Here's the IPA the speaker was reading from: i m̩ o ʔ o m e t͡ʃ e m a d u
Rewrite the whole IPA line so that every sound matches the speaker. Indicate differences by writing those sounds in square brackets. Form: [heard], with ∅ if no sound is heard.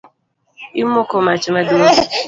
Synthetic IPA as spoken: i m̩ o [k] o m [a] t͡ʃ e m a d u